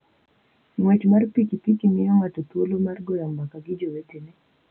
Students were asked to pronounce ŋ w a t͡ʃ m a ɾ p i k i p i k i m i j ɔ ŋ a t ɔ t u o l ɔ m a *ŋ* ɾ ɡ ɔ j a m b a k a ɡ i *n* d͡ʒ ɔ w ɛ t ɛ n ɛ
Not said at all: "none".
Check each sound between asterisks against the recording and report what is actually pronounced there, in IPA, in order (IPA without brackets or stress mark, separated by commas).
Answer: none, none